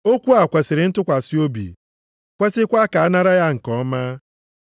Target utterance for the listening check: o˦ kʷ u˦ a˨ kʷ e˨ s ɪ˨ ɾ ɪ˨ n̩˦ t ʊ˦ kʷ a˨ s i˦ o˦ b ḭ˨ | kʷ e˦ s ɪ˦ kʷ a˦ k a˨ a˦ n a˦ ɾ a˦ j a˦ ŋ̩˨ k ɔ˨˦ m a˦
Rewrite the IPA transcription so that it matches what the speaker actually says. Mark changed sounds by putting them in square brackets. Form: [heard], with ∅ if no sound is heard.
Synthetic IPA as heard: o˦ kʷ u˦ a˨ kʷ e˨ s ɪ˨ ɾ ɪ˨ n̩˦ t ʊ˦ kʷ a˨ s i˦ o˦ b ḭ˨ | kʷ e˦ s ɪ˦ kʷ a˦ k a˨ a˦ n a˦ ɾ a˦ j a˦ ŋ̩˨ k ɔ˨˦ m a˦

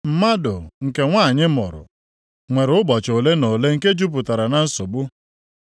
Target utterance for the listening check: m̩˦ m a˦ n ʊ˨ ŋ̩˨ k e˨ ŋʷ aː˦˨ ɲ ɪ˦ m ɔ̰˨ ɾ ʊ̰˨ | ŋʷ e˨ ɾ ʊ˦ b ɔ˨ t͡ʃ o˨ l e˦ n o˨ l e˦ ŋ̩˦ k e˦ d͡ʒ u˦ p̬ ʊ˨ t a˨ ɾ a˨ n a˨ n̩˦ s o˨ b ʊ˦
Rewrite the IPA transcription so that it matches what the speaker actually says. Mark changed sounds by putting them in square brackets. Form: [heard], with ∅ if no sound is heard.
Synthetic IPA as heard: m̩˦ m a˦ [d] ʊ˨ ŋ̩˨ k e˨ ŋʷ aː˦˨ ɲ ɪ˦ m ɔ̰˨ ɾ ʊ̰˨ | ŋʷ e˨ ɾ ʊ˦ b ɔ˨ t͡ʃ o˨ l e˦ n o˨ l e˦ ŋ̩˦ k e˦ d͡ʒ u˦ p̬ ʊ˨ t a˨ ɾ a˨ n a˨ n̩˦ s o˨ b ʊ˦

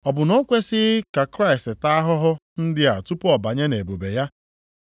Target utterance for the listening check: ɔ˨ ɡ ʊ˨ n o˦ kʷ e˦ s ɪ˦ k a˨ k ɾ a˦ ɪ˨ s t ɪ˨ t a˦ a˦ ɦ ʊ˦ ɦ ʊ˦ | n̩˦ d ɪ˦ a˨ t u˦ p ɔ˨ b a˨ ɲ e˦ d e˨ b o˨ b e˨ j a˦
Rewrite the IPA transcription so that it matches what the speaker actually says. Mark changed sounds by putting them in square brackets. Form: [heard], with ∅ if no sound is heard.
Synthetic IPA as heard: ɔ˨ [b] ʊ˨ n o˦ kʷ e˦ s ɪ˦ k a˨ k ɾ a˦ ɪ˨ s t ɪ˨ t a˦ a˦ ɦ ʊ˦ ɦ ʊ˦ | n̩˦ d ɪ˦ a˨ t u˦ p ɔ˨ b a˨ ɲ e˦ [n] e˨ b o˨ b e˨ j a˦

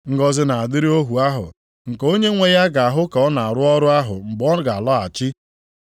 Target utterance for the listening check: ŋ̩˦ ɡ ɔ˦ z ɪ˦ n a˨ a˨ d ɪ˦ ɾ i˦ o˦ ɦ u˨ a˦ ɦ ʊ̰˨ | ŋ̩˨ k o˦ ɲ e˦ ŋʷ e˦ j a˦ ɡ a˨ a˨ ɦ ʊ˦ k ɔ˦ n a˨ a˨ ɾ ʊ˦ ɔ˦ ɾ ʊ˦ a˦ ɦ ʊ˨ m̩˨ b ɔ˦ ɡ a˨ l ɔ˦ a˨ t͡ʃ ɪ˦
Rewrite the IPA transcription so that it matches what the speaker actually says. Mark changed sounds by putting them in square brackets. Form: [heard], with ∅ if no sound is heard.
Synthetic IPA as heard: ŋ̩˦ ɡ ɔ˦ z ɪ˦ n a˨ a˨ d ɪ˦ ɾ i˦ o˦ ɦ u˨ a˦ ɦ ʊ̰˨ | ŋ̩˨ k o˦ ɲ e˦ ŋʷ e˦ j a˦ ɡ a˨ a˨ ɦ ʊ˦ k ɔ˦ n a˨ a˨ ɾ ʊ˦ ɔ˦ ɾ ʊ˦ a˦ ɦ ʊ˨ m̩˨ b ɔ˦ ɡ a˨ l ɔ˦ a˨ t͡ʃ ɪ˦

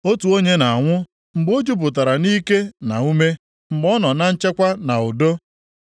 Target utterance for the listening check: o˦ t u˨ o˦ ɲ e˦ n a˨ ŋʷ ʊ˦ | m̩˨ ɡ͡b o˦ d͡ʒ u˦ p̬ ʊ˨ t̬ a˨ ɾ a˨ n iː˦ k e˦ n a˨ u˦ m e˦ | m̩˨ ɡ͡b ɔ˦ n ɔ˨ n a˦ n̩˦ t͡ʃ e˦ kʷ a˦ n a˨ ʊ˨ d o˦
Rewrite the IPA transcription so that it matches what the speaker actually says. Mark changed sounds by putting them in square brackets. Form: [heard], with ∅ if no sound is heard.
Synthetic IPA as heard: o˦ t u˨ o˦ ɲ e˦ n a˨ ŋʷ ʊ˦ | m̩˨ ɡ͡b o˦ d͡ʒ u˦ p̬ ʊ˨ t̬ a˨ ɾ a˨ n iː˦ k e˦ n a˨ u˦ m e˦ | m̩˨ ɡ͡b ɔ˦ n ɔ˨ n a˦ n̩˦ t͡ʃ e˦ kʷ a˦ n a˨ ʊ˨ d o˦

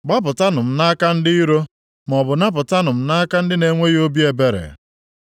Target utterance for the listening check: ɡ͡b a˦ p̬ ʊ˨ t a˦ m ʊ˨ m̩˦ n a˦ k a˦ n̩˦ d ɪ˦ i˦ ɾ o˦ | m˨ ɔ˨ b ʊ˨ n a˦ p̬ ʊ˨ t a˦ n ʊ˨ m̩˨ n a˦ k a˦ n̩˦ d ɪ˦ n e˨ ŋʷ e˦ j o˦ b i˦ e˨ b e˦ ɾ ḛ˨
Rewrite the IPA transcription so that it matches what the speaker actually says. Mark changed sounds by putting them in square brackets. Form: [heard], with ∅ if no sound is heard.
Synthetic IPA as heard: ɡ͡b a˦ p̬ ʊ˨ t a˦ [n] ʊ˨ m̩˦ n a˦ k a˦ n̩˦ d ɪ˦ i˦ ɾ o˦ | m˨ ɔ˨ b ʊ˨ n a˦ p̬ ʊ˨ t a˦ n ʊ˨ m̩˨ n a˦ k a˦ n̩˦ d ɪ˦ n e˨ ŋʷ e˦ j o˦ b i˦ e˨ b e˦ ɾ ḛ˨

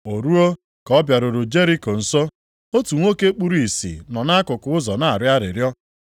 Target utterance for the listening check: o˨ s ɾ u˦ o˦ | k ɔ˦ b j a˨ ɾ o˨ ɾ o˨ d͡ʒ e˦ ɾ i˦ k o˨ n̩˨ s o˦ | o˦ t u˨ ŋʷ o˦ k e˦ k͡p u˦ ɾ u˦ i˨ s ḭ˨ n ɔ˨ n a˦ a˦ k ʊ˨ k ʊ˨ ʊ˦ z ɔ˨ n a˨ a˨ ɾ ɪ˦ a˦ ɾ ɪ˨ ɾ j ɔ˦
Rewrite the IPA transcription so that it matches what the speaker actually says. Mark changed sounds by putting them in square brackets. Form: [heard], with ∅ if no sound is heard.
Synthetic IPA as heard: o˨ [∅] ɾ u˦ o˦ | k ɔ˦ b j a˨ ɾ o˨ ɾ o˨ d͡ʒ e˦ ɾ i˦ k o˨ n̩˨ s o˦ | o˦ t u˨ ŋʷ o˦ k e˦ k͡p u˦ ɾ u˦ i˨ s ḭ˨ n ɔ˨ n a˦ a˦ k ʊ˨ k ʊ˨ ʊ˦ z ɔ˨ n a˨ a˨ ɾ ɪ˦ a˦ ɾ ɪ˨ ɾ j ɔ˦

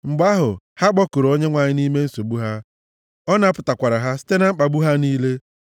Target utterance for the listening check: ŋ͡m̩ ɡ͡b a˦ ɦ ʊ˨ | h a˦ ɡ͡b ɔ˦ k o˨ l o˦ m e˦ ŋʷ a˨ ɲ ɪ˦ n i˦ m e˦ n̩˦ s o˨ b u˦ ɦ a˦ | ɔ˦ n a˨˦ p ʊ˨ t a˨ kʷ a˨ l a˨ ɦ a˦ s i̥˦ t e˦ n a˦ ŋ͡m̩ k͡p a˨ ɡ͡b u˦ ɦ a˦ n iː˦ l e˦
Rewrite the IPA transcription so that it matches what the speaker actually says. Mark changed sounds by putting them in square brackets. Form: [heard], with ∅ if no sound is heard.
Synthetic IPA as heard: ŋ͡m̩ ɡ͡b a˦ ɦ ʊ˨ | h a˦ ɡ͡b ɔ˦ k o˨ [ɾ] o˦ [ɲ] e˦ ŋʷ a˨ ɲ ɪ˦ n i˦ m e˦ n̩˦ s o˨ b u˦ ɦ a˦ | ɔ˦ n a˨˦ p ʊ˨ t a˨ kʷ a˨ [ɾ] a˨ ɦ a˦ s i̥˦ t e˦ n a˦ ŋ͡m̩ k͡p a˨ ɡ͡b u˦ ɦ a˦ n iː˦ l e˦

